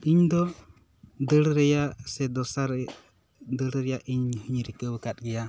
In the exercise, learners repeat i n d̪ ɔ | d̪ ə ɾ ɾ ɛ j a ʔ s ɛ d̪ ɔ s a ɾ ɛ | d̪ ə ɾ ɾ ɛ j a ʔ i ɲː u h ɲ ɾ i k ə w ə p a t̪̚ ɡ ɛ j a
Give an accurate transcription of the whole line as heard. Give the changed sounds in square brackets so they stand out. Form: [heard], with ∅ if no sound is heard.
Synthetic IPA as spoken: i [ɲ] d̪ ɔ | d̪ ə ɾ ɾ ɛ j a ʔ s ɛ d̪ ɔ s a ɾ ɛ | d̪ ə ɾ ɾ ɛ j a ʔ i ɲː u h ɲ ɾ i k ə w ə [k] a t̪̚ ɡ ɛ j a